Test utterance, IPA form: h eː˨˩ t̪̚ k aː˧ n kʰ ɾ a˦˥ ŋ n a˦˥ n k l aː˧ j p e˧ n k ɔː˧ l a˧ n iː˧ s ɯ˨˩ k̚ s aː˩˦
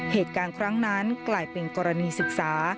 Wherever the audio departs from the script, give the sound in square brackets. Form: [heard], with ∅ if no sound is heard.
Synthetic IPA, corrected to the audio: h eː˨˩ t̪̚ k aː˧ n kʰ ɾ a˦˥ ŋ n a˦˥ n k l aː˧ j p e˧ n k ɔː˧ [ɾ] a˧ n iː˧ s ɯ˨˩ k̚ s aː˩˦